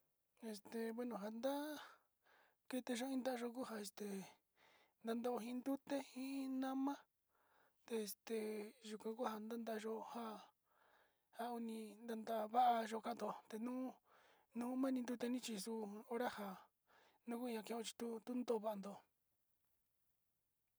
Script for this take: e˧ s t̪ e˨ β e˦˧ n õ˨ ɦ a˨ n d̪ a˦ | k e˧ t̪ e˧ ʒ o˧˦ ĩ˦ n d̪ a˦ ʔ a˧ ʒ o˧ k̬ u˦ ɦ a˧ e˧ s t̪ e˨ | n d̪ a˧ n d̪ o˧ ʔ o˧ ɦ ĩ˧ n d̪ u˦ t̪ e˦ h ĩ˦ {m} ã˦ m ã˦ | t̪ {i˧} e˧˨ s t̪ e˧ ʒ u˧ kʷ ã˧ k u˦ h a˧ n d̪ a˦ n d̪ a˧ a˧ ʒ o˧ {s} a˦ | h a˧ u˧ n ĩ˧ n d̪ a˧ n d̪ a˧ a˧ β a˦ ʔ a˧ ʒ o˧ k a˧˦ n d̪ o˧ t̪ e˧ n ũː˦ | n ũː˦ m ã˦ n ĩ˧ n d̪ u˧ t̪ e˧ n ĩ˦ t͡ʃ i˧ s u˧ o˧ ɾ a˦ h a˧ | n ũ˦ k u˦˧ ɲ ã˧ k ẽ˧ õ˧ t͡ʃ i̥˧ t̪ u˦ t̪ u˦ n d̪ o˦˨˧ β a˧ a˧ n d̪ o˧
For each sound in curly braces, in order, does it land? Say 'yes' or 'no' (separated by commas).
no, no, no